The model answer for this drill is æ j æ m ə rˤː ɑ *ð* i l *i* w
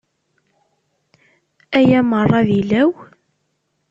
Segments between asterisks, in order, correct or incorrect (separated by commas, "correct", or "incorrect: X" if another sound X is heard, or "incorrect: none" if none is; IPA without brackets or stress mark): correct, incorrect: æ